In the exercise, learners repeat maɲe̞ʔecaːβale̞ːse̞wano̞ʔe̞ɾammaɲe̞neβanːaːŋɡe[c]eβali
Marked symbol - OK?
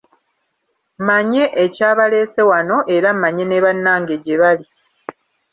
no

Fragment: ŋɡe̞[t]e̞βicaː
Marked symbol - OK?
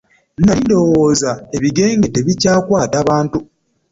yes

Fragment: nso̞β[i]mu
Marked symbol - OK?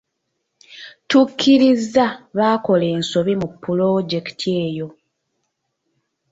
yes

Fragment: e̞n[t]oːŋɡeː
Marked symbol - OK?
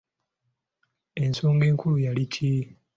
no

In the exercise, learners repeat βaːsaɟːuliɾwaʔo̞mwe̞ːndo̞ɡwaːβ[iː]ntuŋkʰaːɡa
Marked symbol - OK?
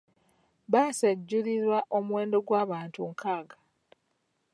no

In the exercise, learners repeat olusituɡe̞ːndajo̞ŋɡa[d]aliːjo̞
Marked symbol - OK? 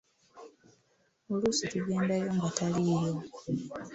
no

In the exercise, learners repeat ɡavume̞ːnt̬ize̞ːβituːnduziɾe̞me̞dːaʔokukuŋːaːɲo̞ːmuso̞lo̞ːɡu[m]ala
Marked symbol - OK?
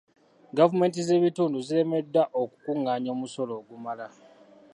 yes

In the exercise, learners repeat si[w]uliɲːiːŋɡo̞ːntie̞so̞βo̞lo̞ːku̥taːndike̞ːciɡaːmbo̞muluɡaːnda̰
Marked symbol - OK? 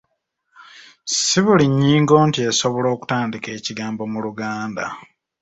no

